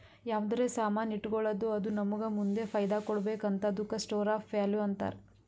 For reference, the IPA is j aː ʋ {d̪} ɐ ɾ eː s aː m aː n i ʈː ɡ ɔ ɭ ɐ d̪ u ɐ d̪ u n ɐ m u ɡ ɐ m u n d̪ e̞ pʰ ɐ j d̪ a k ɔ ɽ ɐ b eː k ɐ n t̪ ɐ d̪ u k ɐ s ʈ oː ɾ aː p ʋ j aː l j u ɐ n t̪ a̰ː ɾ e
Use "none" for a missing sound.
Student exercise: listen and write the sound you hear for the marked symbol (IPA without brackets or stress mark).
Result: d̪